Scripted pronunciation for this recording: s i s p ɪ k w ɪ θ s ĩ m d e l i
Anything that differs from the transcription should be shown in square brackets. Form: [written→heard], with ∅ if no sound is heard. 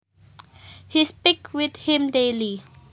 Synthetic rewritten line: [s→h] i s p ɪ k w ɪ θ [s→h] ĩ m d e l i